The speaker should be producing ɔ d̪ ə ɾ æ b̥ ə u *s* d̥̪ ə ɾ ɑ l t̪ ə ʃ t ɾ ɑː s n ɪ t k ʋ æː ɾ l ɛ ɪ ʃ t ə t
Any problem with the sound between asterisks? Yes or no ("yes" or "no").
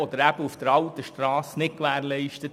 yes